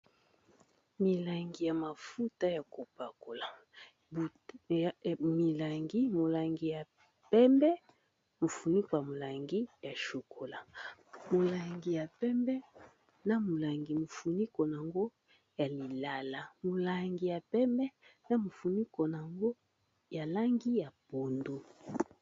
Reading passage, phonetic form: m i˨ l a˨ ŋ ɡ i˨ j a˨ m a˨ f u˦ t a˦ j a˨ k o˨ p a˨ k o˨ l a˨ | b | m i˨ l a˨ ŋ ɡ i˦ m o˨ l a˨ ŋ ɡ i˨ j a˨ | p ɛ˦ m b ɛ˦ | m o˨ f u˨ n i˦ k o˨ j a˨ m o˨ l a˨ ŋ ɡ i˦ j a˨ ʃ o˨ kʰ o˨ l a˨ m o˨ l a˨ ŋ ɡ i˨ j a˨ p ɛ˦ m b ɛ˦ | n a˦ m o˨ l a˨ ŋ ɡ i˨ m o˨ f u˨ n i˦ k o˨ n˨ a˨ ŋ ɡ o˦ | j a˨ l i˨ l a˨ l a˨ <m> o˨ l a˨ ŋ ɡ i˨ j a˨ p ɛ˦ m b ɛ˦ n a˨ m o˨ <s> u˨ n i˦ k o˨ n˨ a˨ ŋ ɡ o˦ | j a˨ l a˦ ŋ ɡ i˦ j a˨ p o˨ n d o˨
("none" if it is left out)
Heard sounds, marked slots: m, f

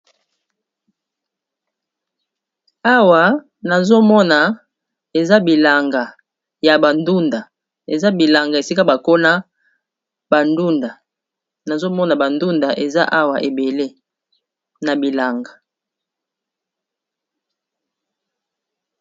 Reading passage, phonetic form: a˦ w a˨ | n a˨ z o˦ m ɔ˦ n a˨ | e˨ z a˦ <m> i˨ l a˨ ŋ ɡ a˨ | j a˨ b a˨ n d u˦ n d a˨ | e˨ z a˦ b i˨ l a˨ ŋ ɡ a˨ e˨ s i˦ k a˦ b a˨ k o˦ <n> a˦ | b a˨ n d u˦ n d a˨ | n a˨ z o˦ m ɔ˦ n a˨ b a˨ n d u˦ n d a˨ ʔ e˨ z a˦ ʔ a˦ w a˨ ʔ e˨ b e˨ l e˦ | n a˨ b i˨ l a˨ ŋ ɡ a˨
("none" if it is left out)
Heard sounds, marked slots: b, n

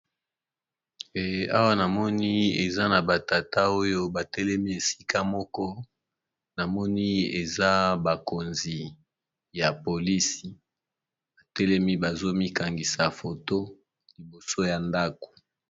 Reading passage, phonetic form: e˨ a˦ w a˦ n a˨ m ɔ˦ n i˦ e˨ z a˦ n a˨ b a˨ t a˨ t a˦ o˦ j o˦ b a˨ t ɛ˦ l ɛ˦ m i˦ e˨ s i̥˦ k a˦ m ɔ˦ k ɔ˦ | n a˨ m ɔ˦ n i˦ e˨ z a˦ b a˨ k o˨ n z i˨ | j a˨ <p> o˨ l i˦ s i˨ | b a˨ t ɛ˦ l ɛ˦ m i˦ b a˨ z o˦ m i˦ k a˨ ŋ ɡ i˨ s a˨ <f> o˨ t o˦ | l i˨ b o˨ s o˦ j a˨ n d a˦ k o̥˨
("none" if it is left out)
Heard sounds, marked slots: p, f

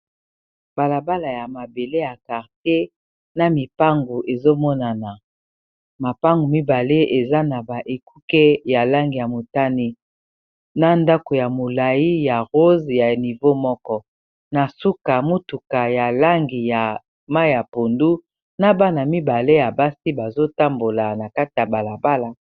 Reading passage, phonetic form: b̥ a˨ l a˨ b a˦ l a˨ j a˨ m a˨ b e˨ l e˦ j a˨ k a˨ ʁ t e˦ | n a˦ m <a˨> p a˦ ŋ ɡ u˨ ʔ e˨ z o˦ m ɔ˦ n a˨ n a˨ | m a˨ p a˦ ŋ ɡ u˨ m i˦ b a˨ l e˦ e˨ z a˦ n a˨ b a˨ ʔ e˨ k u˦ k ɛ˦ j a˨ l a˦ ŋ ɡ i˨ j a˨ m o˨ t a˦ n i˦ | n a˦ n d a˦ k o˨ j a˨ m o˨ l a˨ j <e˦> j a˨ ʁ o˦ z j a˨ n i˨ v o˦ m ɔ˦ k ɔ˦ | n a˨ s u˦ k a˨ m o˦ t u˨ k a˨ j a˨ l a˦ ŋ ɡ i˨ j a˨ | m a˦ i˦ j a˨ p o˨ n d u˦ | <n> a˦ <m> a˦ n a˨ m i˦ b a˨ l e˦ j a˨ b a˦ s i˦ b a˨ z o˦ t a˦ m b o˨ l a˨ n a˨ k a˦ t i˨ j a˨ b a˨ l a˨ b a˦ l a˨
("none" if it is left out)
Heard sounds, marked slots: i˨, i˦, n, b

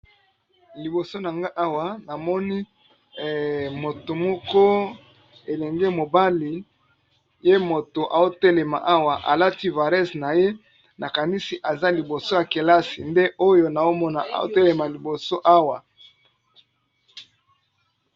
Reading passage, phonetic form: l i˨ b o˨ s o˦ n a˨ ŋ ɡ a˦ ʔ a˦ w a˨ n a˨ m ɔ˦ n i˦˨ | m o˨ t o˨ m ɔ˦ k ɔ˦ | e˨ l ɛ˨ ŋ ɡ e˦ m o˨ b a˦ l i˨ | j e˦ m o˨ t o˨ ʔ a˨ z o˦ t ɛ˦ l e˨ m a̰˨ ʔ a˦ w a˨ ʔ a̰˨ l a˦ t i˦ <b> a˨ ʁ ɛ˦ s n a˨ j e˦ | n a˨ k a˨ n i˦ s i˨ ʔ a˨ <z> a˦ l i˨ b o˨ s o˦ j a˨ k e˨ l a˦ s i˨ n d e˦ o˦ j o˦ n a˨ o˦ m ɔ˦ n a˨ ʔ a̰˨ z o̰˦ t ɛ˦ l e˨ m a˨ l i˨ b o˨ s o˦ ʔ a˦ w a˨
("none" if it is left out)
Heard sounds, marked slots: v, z

